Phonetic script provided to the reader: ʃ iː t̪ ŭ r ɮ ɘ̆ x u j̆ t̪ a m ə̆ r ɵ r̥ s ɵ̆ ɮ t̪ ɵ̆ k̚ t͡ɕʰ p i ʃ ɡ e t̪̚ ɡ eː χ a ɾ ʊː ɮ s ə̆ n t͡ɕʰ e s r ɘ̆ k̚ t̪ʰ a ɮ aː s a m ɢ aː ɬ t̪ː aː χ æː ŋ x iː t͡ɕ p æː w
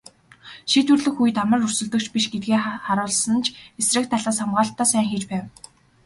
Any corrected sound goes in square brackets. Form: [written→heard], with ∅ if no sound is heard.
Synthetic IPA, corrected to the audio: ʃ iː t̪ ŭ r ɮ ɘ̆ x u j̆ t̪ a m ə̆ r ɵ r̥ s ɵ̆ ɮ t̪ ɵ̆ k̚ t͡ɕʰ p i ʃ ɡ e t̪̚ ɡ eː χ a ɾ ʊː ɮ s ə̆ n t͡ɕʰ e s r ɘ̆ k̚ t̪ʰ a ɮ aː s a m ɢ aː ɬ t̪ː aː [χ→s] æː ŋ x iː t͡ɕ p æː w